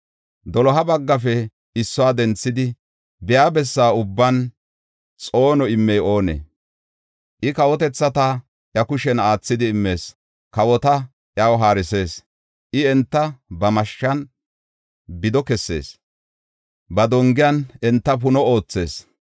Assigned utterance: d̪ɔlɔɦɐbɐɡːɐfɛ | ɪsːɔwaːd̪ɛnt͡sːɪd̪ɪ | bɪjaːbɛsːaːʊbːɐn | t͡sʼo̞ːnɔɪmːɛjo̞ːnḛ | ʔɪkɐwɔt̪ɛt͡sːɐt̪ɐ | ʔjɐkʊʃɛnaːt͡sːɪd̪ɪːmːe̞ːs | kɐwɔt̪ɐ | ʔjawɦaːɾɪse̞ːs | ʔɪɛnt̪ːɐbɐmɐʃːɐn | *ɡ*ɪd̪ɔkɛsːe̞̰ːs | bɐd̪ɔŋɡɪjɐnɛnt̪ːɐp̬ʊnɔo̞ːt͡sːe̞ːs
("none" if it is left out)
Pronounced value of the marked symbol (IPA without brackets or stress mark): b